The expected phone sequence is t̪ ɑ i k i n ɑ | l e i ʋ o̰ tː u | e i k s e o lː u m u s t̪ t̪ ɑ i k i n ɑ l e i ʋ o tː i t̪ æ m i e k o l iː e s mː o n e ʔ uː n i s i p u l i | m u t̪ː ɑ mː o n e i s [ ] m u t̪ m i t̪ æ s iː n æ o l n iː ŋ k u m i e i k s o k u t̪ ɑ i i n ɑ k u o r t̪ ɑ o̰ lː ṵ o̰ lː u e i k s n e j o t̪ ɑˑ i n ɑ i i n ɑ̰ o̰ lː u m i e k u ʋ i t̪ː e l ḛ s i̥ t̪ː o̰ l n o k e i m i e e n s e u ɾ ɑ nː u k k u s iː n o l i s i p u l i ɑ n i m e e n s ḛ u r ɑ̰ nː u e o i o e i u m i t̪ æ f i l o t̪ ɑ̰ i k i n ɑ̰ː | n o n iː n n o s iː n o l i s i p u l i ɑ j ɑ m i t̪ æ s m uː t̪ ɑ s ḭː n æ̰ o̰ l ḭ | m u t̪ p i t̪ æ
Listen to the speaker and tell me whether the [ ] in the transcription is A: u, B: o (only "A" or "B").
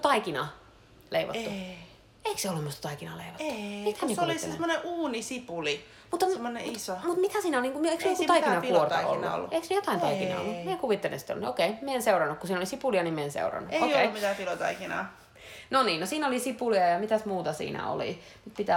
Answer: B